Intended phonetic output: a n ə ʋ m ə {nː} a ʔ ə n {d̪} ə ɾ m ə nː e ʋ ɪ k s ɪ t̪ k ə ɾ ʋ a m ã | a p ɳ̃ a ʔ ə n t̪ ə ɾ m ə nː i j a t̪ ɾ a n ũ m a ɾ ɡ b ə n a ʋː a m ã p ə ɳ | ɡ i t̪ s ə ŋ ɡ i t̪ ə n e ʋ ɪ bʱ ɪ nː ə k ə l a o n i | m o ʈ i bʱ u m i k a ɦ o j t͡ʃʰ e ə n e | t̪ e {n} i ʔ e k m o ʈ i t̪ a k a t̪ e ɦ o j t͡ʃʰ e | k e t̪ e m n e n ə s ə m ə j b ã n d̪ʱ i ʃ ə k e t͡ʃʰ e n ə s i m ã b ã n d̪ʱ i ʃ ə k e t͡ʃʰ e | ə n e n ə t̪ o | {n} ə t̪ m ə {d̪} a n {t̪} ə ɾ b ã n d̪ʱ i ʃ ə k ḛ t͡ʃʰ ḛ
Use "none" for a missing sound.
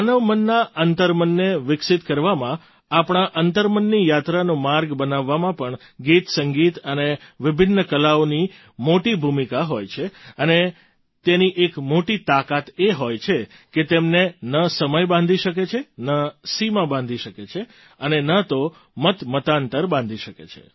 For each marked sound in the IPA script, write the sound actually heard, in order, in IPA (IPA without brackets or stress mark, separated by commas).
nː, t̪, n, m, t̪, t̪